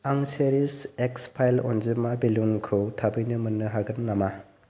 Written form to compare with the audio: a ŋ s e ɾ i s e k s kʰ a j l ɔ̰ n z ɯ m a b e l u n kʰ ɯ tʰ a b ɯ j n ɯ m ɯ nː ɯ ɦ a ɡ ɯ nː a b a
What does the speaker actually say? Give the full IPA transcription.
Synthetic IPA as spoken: a ŋ s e ɾ i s e k s pʰ a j l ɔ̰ n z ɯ m a b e l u n kʰ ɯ tʰ a b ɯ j n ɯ m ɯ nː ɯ ɦ a ɡ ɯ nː a m a